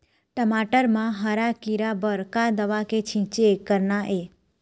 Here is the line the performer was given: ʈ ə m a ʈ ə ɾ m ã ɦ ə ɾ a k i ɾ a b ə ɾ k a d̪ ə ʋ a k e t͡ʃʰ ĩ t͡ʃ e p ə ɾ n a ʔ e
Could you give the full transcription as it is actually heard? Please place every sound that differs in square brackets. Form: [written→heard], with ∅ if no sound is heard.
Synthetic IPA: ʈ ə m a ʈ ə ɾ m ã ɦ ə ɾ a k i ɾ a b ə ɾ k a d̪ ə ʋ a k e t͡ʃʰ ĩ t͡ʃ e [p→k] ə ɾ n a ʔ e